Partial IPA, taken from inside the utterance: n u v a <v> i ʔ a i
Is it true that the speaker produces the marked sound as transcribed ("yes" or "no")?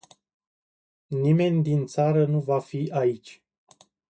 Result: no